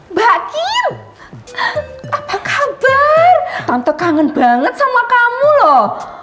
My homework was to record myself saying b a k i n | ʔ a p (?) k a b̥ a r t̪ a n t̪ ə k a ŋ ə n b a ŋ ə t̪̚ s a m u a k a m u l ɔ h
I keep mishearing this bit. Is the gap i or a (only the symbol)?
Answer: a